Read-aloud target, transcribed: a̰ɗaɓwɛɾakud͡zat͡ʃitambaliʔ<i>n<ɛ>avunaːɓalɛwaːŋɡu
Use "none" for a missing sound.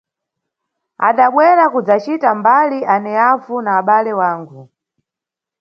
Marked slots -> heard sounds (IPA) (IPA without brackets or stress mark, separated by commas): a, ɛ